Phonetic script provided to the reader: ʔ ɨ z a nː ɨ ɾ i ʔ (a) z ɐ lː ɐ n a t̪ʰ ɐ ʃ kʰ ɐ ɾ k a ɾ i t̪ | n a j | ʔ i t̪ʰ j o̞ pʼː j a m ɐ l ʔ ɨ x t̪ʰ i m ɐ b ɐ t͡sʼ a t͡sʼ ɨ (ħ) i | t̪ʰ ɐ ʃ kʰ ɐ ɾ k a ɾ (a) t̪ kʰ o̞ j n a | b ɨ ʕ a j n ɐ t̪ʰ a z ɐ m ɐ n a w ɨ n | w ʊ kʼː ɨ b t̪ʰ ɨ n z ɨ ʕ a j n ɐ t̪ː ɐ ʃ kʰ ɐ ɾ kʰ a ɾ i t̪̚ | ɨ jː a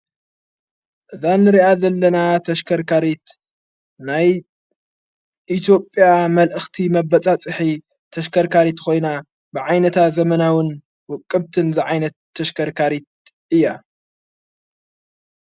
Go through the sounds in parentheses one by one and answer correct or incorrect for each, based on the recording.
correct, correct, incorrect

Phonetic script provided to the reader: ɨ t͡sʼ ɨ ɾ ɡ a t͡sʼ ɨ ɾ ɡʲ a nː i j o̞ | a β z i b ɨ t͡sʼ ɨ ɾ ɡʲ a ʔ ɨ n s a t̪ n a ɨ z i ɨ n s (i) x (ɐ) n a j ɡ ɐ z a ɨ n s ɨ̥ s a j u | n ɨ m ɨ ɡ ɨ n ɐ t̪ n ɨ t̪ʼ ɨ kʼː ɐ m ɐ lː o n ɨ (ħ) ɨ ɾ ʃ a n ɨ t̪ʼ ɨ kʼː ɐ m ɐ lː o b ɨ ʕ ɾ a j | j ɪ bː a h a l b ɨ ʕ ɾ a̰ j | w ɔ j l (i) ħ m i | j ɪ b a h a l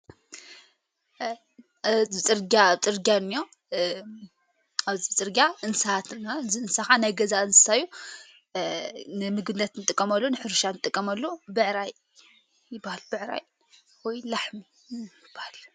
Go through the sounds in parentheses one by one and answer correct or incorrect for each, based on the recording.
incorrect, incorrect, correct, incorrect

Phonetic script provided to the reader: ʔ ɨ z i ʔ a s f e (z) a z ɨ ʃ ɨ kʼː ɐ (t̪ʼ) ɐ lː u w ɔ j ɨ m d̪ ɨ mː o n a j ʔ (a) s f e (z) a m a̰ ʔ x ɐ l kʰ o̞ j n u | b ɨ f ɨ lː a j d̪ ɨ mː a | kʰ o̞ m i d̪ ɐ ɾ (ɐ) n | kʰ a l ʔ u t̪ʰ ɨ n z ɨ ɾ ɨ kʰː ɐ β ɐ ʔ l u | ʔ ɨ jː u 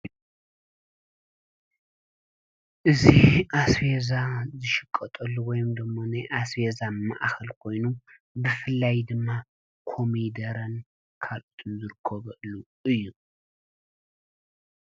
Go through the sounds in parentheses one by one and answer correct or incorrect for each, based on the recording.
correct, correct, correct, correct, correct

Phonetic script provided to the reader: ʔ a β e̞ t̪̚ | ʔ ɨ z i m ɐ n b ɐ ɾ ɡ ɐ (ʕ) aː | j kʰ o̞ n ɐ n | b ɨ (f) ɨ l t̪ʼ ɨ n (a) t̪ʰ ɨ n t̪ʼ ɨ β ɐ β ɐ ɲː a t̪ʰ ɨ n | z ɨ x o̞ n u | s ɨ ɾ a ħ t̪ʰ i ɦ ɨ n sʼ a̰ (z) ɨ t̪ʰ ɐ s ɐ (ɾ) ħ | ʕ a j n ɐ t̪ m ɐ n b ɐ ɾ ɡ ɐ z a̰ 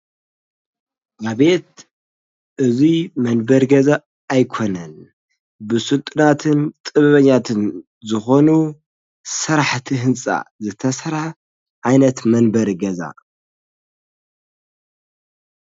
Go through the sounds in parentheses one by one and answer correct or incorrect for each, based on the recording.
incorrect, incorrect, correct, correct, correct

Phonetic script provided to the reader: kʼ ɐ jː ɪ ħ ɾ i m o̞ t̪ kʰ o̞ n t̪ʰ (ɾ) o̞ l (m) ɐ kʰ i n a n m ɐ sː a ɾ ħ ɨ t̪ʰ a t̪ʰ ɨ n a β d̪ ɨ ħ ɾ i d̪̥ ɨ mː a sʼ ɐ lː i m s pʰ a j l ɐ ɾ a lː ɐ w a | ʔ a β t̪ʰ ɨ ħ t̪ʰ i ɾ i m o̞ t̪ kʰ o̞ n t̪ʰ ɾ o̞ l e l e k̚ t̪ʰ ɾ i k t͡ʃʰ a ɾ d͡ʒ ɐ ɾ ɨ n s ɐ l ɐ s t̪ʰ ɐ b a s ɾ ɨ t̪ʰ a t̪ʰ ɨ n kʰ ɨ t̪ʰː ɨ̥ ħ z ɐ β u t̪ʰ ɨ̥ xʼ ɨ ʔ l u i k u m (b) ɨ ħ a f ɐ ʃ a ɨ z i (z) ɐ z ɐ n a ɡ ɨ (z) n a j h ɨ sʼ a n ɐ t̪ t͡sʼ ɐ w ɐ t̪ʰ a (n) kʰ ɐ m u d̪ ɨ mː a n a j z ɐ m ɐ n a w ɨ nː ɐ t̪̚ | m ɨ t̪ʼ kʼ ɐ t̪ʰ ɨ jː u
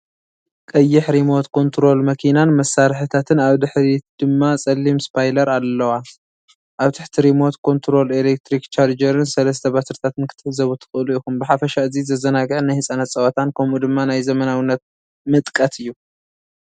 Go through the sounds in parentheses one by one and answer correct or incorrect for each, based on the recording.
correct, correct, correct, correct, incorrect, correct

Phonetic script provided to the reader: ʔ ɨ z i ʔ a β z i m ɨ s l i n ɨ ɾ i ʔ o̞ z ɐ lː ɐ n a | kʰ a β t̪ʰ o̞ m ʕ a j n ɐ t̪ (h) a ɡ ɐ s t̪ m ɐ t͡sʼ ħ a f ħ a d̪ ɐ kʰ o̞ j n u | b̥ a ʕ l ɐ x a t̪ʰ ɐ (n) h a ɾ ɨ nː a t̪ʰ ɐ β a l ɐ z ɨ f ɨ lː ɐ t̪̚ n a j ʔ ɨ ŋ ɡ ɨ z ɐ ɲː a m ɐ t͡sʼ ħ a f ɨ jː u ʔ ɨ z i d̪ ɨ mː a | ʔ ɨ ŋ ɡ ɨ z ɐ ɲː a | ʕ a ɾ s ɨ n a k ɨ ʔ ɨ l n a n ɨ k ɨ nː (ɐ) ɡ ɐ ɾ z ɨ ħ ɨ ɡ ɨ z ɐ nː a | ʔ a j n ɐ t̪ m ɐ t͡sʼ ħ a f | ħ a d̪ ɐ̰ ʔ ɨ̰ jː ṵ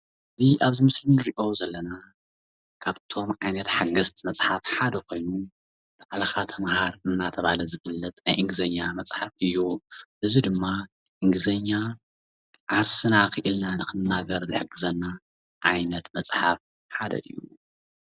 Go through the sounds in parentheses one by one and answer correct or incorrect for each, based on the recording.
incorrect, incorrect, incorrect

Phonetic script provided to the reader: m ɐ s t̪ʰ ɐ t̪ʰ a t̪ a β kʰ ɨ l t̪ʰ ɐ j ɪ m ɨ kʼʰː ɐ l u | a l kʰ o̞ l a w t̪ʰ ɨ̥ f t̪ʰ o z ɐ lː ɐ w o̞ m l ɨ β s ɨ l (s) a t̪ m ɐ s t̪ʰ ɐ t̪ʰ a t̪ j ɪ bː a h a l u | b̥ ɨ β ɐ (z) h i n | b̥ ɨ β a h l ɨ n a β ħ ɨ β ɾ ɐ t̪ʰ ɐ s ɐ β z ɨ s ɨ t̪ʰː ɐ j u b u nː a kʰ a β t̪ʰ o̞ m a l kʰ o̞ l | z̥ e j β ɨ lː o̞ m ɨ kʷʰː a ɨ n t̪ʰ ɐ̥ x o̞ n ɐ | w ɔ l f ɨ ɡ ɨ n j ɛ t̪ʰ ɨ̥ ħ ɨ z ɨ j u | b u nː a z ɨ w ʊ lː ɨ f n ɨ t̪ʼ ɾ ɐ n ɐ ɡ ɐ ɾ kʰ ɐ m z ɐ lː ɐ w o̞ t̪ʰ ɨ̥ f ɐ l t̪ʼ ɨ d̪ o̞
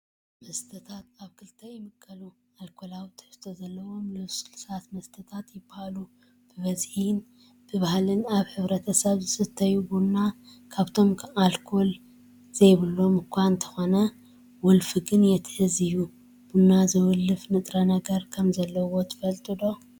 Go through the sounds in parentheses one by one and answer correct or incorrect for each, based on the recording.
correct, correct

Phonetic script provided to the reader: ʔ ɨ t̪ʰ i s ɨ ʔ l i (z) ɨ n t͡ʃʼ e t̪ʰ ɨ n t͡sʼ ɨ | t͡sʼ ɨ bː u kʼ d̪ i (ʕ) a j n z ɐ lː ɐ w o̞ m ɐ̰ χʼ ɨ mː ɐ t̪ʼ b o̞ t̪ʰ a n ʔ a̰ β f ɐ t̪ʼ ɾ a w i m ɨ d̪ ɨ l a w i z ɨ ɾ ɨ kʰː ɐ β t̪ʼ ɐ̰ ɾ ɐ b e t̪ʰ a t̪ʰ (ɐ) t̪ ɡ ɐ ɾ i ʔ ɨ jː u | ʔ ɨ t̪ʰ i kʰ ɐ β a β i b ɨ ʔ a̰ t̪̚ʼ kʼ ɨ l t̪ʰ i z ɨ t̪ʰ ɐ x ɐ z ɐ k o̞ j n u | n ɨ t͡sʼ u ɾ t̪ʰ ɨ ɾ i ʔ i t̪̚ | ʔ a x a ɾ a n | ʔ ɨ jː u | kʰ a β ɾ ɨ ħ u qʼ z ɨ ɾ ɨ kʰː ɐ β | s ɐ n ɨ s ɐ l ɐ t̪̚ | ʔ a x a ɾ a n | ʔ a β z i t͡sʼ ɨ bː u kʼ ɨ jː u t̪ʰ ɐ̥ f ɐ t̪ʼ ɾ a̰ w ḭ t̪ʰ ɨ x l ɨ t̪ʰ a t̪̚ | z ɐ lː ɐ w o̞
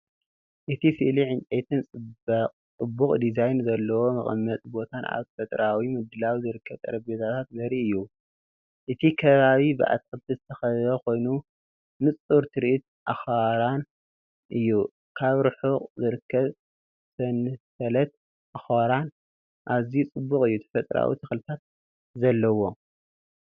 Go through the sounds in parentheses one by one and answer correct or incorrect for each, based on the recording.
incorrect, incorrect, incorrect

